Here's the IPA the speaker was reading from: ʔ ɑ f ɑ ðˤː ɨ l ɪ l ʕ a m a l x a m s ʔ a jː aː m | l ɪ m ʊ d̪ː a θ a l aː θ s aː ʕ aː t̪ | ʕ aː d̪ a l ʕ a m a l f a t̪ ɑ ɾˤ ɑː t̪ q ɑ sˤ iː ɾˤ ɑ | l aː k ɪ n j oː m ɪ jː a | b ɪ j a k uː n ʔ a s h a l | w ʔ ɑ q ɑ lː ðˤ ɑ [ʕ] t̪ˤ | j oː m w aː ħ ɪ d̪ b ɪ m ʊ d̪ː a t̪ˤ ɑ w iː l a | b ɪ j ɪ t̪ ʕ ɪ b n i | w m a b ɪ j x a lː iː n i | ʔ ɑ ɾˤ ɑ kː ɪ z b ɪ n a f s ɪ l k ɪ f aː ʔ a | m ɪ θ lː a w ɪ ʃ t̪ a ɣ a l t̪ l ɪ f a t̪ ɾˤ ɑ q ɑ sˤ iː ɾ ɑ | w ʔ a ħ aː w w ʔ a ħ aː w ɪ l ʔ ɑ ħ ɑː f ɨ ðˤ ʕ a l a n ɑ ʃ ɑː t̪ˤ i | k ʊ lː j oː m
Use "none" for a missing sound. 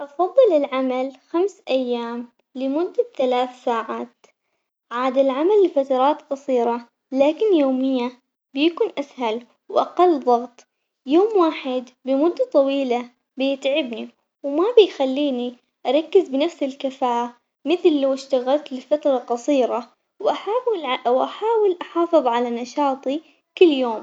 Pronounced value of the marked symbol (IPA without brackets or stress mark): ɣ